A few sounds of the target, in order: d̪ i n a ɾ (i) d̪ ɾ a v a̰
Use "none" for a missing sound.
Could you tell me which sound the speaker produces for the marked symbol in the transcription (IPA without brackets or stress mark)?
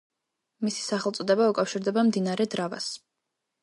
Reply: ɛ